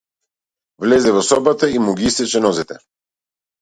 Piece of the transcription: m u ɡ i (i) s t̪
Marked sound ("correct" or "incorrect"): correct